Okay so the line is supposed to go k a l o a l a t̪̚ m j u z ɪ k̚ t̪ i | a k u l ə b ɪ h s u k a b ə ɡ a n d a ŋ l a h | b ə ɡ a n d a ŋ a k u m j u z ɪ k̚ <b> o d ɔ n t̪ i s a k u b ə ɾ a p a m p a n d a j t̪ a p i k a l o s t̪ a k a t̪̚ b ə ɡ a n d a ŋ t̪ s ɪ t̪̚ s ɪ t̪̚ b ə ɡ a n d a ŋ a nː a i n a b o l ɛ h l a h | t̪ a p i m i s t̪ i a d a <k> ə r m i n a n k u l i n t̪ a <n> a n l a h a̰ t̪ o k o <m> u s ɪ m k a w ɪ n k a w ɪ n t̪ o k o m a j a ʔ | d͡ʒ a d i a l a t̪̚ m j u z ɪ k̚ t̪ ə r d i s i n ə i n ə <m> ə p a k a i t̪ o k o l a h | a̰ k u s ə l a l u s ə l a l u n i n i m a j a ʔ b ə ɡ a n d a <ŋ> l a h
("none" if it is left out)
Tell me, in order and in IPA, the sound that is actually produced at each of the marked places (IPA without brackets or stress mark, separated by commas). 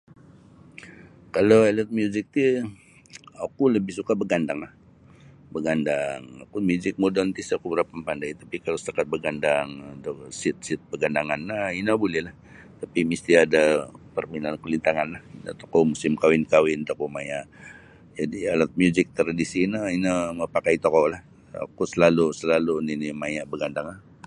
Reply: m, p, ŋ, m, m, ŋ